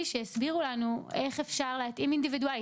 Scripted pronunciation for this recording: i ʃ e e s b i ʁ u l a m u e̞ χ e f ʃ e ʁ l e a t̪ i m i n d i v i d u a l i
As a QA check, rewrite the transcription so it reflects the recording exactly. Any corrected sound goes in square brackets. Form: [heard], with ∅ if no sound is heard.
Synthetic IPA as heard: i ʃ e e s b i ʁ u l a [n] u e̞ χ e f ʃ [a] ʁ l e a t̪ i m i n d i v i d u a l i